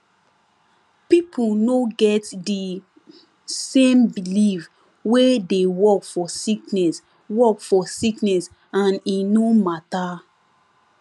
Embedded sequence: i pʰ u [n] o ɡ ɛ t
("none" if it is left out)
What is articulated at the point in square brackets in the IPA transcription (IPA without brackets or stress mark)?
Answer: n